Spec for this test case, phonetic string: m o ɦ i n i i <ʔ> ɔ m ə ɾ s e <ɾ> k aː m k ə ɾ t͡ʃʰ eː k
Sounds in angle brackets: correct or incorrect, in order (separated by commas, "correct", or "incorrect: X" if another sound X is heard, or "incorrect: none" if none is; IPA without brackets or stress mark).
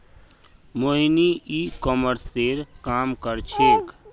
incorrect: k, correct